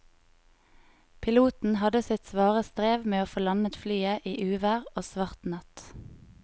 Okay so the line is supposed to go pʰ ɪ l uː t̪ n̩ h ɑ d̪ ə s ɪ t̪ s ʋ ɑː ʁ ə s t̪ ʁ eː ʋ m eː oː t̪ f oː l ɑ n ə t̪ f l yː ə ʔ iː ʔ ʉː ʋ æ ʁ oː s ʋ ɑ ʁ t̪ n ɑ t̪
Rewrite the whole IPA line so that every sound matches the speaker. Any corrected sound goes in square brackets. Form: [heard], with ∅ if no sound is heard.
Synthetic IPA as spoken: pʰ ɪ l uː t̪ n̩ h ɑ d̪ ə s ɪ t̪ s ʋ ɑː ʁ ə s t̪ ʁ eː ʋ m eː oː [∅] f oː l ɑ n ə t̪ f l yː ə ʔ iː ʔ ʉː ʋ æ ʁ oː s ʋ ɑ ʁ t̪ n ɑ t̪